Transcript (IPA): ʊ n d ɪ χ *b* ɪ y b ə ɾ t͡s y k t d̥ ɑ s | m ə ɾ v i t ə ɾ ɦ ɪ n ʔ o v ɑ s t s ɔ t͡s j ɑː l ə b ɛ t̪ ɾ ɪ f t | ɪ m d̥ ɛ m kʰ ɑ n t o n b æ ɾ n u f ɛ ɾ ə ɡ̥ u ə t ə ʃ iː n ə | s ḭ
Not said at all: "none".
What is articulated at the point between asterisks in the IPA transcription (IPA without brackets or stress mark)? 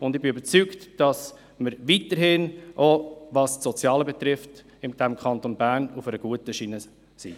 b